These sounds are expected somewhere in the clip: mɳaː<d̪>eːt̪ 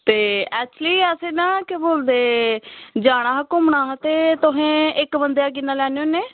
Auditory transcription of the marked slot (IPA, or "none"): t̪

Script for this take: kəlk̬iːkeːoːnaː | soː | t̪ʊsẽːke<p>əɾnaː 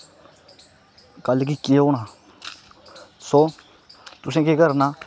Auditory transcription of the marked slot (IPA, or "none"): k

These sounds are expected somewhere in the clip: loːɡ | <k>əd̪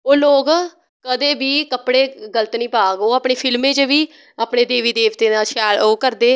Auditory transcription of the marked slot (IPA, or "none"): k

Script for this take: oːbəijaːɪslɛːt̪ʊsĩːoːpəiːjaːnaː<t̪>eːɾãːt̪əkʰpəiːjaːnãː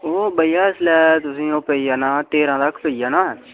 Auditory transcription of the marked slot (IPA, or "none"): t̪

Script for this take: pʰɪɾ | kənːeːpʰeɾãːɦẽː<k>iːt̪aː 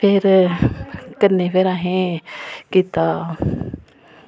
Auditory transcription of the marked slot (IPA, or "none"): k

